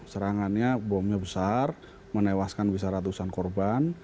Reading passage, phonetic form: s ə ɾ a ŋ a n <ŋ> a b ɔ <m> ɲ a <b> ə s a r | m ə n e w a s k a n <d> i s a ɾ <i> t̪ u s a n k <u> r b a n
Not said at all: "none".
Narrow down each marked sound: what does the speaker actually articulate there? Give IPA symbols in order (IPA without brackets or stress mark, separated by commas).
ɲ, m, b, b, a, ɔ